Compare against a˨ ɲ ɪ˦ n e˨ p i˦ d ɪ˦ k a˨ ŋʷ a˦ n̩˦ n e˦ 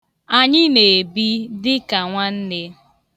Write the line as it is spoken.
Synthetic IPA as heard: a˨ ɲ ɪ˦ n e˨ b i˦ d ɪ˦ k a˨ ŋʷ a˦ n̩˦ n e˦